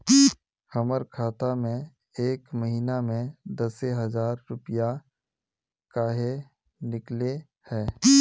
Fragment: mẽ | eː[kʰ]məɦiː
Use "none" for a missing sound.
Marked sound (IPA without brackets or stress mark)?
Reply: k